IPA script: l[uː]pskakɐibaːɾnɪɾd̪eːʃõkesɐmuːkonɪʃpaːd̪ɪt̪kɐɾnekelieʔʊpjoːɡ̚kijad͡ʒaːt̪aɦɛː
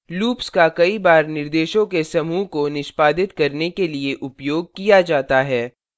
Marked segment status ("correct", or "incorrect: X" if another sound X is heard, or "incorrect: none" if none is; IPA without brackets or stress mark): correct